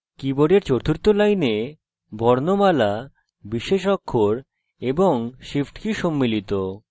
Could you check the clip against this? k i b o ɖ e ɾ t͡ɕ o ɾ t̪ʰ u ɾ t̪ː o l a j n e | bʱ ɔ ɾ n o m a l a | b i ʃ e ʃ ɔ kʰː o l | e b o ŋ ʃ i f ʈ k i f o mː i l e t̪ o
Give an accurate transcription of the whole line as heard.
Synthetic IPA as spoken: k i b o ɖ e ɾ t͡ɕ o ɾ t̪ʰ u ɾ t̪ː o l a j n e | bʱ ɔ ɾ n o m a l a | b i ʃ e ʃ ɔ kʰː o ɾ | e b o ŋ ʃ i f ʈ k i ʃ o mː i l i t̪ o